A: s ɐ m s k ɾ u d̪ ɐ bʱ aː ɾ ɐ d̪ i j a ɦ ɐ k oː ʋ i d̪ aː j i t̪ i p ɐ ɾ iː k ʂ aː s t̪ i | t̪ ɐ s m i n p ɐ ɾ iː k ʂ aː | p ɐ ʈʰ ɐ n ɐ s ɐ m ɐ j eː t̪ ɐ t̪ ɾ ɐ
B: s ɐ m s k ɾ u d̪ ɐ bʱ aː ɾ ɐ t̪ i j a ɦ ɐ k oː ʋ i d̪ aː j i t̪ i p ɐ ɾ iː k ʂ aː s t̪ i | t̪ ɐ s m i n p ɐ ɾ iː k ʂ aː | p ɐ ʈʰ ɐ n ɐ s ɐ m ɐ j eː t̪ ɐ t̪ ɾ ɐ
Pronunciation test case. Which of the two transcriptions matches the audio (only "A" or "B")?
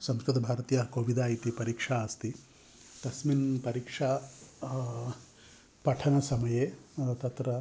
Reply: B